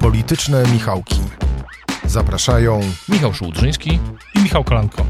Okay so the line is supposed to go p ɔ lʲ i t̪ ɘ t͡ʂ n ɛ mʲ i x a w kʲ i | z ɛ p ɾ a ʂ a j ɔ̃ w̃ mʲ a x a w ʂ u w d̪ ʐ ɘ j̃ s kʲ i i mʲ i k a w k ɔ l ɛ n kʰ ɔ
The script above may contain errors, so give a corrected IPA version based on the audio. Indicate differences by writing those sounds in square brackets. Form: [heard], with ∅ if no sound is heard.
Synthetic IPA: p ɔ lʲ i t̪ ɘ t͡ʂ n ɛ mʲ i x a w kʲ i | z [a] p ɾ a ʂ a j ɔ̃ w̃ mʲ [i] x a w ʂ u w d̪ ʐ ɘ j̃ s kʲ i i mʲ i [x] a w k ɔ l [a] n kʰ ɔ